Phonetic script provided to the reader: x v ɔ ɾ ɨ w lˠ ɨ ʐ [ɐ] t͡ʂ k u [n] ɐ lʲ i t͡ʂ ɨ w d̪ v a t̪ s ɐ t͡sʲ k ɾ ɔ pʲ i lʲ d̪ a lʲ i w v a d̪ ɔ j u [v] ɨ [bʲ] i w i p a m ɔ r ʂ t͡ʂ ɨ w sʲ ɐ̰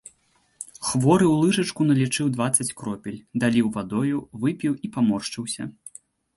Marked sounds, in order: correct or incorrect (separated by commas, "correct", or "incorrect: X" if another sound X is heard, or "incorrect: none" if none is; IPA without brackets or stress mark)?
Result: correct, correct, correct, incorrect: pʲ